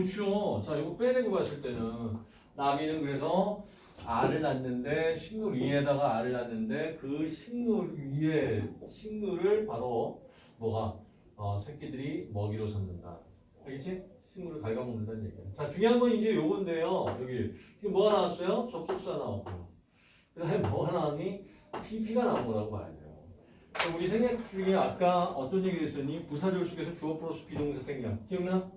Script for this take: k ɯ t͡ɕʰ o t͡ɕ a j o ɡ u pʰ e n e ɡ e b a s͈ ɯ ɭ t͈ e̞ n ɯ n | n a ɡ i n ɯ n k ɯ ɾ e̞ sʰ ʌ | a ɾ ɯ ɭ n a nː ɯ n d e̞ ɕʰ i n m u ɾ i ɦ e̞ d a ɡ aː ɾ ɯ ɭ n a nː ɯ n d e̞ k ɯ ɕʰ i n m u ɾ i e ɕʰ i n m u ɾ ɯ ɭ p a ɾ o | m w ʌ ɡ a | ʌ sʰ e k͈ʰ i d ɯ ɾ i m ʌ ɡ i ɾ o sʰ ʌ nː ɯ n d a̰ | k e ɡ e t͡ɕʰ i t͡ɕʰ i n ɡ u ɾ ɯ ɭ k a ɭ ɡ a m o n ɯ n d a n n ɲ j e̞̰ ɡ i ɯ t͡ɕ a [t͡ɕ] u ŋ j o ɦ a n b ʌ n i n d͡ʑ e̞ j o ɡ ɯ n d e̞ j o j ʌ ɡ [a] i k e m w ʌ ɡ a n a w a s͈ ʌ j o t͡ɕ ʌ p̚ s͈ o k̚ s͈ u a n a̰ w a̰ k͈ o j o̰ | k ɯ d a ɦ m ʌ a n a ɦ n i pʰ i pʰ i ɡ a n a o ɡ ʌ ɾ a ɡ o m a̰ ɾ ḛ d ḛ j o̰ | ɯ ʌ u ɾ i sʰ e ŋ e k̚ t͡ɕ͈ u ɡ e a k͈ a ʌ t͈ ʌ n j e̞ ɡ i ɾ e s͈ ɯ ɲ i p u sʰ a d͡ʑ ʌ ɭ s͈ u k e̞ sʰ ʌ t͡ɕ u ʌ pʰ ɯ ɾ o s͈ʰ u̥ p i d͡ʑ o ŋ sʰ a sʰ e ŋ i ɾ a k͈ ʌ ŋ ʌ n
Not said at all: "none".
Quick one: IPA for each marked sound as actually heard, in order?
t͡ɕ, i

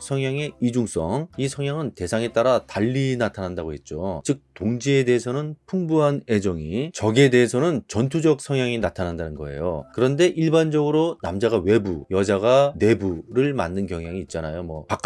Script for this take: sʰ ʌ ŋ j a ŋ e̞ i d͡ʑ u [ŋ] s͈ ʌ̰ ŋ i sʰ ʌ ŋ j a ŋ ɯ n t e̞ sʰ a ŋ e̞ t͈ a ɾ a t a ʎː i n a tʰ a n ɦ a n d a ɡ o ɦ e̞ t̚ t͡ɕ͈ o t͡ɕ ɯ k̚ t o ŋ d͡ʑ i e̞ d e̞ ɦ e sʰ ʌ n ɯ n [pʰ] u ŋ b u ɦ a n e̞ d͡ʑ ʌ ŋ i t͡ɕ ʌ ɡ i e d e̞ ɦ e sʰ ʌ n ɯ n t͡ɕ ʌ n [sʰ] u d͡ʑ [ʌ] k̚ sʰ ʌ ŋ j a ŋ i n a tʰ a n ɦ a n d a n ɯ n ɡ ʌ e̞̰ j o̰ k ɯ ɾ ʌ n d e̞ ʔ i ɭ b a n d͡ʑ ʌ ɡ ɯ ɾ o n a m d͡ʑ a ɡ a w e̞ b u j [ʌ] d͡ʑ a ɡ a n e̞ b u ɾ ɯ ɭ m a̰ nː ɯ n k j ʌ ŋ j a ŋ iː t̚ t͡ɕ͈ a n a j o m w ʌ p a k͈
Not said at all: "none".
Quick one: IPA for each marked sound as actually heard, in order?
ŋ, pʰ, tʰ, ʌ, ʌ

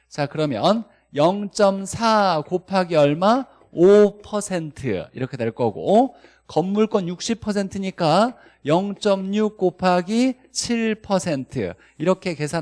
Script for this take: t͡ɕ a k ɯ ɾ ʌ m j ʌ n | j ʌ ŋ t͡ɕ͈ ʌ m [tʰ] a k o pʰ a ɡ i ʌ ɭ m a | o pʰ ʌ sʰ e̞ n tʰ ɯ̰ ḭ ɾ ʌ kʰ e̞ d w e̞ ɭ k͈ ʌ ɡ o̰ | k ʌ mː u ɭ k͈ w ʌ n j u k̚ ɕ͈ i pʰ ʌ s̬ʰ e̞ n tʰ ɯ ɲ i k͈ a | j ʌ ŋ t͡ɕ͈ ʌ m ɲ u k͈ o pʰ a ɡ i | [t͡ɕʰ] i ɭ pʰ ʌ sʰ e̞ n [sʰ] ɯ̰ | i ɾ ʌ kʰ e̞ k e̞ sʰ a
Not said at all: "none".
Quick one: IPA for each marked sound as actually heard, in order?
sʰ, t͡ɕʰ, tʰ

